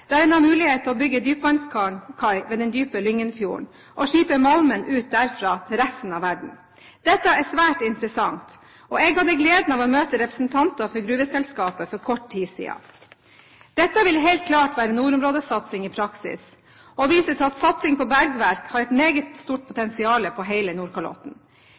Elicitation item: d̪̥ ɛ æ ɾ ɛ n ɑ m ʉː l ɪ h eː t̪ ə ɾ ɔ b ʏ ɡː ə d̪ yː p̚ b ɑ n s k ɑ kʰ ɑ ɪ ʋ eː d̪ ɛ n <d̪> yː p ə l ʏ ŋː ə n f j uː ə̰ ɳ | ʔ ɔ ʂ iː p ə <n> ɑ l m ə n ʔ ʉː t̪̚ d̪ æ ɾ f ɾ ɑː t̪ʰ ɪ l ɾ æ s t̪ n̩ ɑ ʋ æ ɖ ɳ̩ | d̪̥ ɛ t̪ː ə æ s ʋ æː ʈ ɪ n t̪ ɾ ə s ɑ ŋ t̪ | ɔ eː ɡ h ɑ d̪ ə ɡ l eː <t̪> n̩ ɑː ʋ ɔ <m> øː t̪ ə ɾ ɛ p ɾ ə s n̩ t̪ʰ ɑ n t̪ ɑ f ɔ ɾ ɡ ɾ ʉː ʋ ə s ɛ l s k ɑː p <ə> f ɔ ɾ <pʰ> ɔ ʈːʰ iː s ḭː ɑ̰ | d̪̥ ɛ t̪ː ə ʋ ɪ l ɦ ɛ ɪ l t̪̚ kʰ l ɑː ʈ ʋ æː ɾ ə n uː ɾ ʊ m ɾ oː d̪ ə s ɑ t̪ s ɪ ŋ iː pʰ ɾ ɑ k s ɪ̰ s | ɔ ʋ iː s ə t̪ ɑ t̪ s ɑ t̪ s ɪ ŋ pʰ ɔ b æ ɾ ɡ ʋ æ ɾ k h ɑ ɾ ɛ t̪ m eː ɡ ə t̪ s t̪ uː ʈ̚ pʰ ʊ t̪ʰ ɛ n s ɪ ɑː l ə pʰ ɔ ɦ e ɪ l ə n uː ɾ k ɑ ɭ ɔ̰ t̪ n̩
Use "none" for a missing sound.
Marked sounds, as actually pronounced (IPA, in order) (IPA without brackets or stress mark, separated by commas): d̪, m, d̪, m, ə, kʰ